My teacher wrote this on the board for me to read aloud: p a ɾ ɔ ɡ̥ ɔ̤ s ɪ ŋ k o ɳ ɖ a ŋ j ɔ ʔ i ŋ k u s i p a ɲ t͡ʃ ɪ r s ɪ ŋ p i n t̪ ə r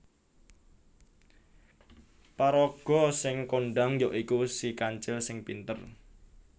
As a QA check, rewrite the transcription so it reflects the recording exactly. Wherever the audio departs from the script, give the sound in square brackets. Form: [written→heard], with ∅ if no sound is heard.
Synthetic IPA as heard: p a ɾ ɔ ɡ̥ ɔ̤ s ɪ ŋ k o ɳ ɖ a ŋ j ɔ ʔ i [ŋ→∅] k u s i [p→k] a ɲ t͡ʃ ɪ [r→l] s ɪ ŋ p i n t̪ ə r